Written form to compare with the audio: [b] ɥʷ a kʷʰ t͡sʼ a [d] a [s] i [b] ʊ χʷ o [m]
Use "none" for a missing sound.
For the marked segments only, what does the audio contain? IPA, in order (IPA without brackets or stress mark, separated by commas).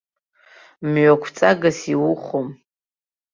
m, ɡ, s, w, m